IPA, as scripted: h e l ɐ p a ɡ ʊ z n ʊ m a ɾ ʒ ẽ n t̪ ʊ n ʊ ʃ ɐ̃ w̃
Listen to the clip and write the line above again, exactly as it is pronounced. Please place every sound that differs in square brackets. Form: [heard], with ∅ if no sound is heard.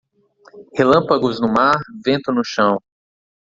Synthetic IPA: h e l [ɐ̃] p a ɡ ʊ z n ʊ m a ɾ [v] ẽ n t̪ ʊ n ʊ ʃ ɐ̃ w̃